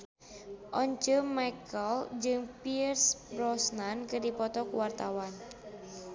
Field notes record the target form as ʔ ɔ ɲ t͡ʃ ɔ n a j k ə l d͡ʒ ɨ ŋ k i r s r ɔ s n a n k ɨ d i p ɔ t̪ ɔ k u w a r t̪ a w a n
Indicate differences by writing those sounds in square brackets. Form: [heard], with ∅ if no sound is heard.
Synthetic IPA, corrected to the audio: ʔ ɔ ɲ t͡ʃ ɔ [m] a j k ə l d͡ʒ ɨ ŋ [p] i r s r ɔ s n a n k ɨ d i p ɔ t̪ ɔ k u w a r t̪ a w a n